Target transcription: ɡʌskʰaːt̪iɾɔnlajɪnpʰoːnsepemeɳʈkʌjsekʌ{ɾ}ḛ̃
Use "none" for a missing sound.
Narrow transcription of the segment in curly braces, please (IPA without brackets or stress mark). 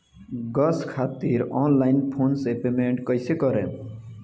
ɾ